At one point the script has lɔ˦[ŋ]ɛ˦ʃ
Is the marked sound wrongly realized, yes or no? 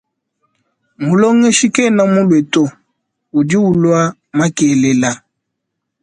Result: no